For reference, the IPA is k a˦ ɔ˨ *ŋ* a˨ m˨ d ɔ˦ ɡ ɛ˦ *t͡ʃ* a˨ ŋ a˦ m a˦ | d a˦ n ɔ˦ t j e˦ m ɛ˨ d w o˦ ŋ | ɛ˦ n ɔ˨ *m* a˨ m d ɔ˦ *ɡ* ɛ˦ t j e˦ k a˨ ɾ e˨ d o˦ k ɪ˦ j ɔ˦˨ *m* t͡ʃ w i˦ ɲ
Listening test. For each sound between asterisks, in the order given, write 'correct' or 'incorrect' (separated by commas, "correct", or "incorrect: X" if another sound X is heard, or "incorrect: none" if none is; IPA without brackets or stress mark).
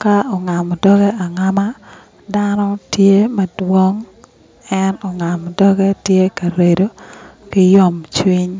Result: correct, incorrect: none, incorrect: ŋ, correct, correct